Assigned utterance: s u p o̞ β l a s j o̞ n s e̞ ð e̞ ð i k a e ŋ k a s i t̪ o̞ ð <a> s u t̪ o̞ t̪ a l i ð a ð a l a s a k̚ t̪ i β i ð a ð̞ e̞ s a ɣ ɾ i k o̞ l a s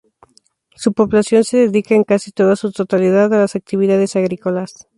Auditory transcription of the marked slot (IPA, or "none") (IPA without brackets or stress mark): a